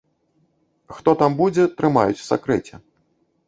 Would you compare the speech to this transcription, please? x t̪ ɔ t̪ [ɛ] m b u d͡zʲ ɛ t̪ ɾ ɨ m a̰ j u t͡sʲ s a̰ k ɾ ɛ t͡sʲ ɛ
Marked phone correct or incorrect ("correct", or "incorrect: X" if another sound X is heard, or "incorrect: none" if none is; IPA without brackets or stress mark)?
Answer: incorrect: a